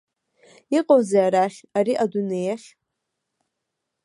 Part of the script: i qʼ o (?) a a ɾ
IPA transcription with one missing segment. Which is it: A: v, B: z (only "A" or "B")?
B